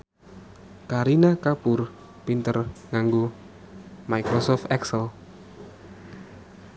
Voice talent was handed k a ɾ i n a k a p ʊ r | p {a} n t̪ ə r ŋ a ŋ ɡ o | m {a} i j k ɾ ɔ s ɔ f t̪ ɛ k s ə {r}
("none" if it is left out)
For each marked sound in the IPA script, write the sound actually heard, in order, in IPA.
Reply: i, a, l

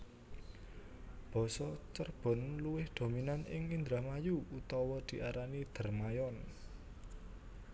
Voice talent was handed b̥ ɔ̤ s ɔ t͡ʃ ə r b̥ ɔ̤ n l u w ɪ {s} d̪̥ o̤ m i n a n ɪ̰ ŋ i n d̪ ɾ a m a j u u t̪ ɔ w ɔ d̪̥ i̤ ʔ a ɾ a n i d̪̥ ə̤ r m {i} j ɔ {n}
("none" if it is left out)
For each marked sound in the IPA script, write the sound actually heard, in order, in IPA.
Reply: h, a, n

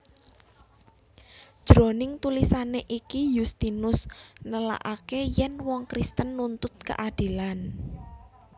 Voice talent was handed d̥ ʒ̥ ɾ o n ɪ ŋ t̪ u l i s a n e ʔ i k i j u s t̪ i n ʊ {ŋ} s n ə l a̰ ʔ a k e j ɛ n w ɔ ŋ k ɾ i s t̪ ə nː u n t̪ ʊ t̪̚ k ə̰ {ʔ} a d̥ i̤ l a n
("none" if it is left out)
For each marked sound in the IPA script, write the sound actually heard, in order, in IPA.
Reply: none, ʔ

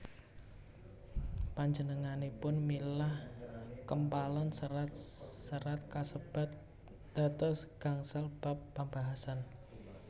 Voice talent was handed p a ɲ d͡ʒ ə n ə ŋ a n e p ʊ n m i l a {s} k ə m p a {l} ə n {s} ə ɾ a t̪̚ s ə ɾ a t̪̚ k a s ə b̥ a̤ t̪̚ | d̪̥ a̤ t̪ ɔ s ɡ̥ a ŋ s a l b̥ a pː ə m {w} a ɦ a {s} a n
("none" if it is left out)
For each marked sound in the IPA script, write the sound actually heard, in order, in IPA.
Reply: h, l, s, b, s

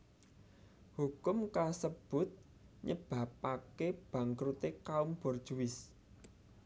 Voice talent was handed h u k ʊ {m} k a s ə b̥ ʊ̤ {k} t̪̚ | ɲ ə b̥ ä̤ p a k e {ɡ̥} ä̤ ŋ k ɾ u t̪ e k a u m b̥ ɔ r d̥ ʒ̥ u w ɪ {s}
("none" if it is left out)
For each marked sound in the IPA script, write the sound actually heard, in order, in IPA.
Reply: m, none, b̥, s

